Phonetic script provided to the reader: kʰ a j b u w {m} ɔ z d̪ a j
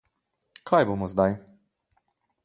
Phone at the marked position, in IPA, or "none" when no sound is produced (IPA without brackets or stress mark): m